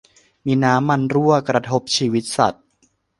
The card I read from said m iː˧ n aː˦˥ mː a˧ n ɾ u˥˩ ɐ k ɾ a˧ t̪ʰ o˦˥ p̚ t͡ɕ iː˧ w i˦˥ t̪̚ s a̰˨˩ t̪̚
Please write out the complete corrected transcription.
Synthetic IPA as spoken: m iː˧ n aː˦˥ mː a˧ n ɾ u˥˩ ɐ k ɾ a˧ t̪ʰ o˦˥ p̚ t͡ɕʰ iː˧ w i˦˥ t̪̚ s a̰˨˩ t̪̚